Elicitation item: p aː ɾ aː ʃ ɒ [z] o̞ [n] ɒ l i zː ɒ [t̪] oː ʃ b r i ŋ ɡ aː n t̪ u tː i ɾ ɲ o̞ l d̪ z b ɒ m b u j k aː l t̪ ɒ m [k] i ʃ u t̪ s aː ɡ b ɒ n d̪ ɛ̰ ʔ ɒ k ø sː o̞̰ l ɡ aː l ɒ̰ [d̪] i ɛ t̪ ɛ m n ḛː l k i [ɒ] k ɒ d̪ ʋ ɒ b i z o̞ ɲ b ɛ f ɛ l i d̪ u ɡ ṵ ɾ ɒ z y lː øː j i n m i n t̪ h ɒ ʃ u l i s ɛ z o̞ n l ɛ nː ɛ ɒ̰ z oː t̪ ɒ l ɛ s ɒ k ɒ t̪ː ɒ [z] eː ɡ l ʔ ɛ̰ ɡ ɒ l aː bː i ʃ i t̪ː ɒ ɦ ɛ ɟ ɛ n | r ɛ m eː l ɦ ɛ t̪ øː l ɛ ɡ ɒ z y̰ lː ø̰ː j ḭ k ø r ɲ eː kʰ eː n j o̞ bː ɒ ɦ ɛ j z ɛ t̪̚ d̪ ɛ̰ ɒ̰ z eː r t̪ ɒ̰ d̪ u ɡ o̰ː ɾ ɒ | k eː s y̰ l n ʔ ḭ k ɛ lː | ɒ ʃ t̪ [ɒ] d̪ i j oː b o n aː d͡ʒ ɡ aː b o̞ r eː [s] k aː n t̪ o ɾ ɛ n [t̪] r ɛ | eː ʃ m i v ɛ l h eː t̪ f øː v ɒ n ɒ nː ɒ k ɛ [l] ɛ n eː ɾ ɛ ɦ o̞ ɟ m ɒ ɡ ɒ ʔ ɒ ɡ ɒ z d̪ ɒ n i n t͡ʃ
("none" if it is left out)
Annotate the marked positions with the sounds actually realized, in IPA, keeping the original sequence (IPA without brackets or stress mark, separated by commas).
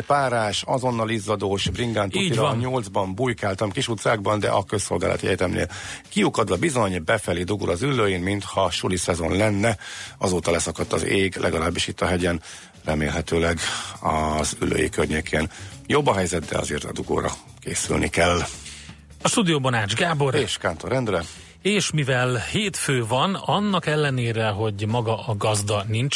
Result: z, nː, d̪, k, t̪, u, z, u, ʃ, d̪, lː